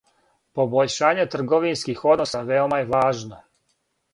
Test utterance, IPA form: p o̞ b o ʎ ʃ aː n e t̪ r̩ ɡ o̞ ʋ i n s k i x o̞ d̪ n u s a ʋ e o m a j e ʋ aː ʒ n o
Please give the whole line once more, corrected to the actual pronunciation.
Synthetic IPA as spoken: p o̞ b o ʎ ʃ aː ɲ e t̪ r̩ ɡ o̞ ʋ i n s k i x o̞ d̪ n o s a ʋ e o m a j e ʋ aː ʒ n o